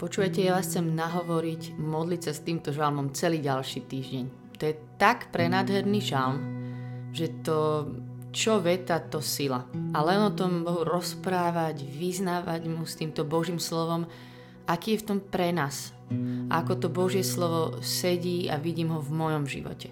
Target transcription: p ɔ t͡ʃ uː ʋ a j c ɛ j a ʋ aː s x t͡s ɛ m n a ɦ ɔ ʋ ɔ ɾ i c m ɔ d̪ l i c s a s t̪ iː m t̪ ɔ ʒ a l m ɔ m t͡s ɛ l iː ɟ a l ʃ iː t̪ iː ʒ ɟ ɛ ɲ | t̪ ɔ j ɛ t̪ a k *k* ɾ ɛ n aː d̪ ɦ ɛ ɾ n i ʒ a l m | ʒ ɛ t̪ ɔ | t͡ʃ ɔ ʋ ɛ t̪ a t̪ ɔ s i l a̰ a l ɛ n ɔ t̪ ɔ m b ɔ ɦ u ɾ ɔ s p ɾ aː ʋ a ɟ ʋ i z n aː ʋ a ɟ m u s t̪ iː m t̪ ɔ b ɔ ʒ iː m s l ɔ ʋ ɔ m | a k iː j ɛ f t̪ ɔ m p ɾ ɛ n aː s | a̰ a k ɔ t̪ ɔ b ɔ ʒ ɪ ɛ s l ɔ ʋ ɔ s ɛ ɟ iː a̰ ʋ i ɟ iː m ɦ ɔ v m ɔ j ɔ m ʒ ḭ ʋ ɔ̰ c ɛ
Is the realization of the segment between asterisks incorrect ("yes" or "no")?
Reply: yes